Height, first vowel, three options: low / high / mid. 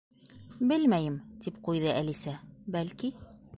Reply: mid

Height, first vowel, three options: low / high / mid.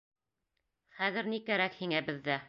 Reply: low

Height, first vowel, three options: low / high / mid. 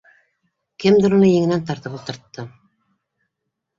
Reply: mid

